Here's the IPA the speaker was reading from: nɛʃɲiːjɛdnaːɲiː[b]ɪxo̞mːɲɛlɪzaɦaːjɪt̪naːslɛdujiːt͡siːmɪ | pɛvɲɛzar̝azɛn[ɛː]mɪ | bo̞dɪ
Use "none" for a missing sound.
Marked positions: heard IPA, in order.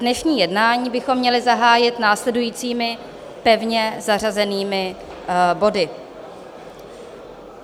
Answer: b, iː

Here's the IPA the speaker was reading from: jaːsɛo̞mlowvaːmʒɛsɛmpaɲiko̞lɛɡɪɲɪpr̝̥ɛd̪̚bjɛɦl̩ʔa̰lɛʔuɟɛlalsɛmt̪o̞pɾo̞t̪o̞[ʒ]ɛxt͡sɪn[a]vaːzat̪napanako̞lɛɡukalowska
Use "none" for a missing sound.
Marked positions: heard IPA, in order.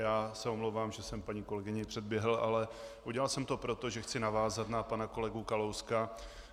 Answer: ʒ, a

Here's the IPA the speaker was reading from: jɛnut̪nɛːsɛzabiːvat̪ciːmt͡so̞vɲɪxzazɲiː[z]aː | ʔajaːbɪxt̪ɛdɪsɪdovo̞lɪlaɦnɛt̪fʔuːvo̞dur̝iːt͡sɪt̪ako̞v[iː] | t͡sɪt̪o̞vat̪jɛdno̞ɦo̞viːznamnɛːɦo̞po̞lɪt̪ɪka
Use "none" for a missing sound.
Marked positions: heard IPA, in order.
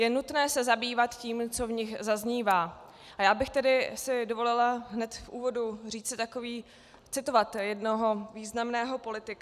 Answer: v, iː

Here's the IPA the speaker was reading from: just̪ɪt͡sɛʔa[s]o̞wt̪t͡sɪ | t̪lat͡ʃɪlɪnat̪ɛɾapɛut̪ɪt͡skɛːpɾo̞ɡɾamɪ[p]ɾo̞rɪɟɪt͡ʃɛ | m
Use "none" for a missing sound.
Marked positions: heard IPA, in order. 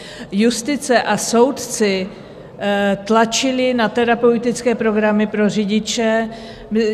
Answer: s, p

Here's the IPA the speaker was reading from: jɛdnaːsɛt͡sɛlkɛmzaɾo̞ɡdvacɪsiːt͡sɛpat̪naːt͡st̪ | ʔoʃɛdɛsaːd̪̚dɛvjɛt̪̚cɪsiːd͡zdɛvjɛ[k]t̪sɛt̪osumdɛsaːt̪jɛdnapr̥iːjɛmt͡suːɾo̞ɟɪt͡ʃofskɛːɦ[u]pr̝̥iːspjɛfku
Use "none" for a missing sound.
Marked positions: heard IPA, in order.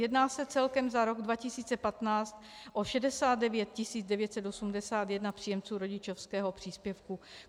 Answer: none, o

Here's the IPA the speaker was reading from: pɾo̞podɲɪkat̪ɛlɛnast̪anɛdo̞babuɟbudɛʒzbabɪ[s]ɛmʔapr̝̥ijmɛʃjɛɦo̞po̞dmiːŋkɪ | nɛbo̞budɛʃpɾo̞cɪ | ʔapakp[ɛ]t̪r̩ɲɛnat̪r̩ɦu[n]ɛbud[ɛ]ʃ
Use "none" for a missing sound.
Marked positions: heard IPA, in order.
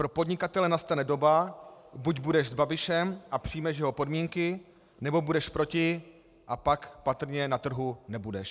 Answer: ʃ, a, n, ɛ

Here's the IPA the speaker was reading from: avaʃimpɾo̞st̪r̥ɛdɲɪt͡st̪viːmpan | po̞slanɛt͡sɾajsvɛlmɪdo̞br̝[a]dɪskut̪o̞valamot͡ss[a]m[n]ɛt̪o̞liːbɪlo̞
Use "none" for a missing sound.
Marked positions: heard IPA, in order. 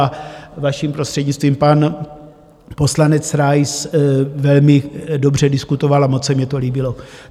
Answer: ɛ, ɛ, ɲ

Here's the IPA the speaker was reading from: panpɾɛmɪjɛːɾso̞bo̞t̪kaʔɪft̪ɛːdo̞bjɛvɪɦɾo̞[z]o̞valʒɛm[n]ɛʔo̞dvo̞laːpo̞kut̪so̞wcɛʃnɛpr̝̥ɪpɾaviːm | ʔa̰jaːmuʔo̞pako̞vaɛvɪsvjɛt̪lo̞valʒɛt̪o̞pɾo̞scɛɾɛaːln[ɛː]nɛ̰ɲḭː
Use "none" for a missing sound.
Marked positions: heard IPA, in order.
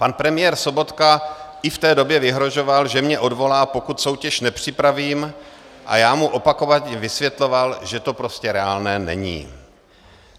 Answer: ʒ, ɲ, ɛː

